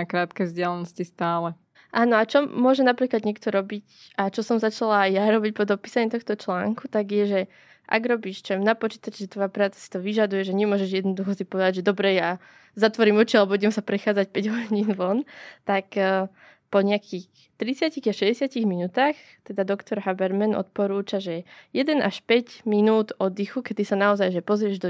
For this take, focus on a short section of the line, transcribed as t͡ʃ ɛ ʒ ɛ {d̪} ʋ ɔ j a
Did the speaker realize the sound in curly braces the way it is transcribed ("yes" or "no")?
no